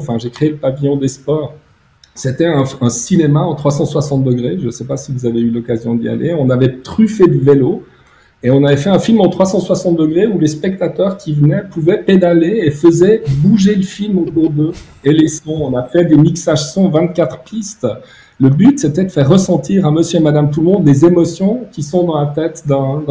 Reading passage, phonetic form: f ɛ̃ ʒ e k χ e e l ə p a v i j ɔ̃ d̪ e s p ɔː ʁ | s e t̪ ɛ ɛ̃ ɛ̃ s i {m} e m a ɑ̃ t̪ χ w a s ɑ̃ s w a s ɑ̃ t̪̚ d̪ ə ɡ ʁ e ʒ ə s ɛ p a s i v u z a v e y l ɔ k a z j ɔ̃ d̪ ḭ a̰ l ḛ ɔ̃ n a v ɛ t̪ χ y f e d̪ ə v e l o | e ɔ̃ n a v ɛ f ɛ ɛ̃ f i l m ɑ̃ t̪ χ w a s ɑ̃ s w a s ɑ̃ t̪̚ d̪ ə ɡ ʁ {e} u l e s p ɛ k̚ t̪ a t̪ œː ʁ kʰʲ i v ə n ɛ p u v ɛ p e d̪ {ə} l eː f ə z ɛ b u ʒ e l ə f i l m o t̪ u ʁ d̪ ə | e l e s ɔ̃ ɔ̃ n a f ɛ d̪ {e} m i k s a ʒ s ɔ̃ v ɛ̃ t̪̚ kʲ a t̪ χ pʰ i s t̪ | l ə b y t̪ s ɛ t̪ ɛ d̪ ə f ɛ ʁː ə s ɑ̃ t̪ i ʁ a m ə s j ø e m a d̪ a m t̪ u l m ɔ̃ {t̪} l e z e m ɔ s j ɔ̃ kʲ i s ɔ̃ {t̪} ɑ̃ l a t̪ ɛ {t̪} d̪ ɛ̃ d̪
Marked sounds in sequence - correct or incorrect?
incorrect: n, correct, incorrect: a, correct, incorrect: d̪, incorrect: d̪, correct

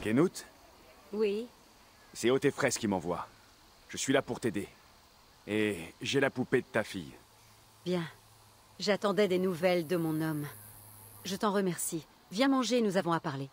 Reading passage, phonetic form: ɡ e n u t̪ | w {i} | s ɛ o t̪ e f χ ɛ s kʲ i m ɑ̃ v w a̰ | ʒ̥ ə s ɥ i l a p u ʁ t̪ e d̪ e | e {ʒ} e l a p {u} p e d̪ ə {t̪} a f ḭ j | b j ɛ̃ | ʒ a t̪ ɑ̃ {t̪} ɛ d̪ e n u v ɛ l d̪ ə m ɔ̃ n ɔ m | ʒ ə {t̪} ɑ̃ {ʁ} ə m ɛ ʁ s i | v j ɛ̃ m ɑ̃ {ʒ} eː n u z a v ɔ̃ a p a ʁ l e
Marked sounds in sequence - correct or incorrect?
correct, correct, correct, correct, incorrect: d̪, correct, correct, correct

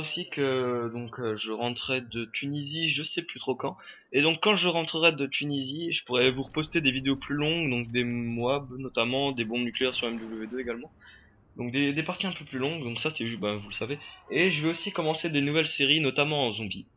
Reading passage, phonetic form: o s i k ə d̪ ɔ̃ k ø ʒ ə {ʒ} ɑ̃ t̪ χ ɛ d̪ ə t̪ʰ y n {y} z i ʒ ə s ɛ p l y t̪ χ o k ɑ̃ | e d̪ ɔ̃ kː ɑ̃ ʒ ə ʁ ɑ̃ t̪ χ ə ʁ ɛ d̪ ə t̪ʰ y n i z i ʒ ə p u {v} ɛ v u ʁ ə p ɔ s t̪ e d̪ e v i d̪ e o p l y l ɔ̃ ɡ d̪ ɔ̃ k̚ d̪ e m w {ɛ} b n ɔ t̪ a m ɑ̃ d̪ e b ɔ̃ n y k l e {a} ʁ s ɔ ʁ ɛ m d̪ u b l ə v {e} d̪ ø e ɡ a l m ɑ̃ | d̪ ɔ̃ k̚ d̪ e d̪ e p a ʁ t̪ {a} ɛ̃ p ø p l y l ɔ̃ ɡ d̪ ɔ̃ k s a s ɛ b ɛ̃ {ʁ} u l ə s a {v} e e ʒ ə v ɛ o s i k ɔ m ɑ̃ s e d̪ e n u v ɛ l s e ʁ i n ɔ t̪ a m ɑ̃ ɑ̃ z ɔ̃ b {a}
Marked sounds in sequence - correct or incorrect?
incorrect: ʁ, incorrect: i, incorrect: ʁ, incorrect: a, incorrect: ɛ, correct, incorrect: i, incorrect: v, correct, incorrect: i

